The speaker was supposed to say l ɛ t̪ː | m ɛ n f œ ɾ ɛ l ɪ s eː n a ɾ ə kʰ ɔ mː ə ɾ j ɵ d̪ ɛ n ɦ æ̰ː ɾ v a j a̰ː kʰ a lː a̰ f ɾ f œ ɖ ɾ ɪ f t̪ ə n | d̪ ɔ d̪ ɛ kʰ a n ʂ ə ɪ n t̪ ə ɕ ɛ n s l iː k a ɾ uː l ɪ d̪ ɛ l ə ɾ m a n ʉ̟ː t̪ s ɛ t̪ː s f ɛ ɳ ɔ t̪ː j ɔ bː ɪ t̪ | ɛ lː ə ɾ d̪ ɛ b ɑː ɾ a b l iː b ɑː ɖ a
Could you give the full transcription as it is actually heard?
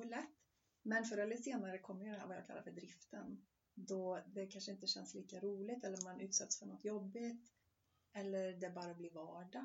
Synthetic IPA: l ɛ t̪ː | m ɛ n f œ ɾ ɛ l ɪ s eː n a ɾ ə kʰ ɔ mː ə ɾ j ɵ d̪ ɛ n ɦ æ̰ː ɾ v a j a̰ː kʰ a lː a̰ ɾ f œ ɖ ɾ ɪ f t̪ ə n | d̪ ɔ d̪ ɛ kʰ a n ʂ ə ɪ n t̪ ə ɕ ɛ n s l iː k a ɾ uː l ɪ t̪ ɛ lː ə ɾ m a n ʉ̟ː t̪ s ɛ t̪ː s f œ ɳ ɔ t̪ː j ɔ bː ɪ t̪ | ɛ lː ə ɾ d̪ ɛ b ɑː ɾ a b l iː v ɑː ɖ a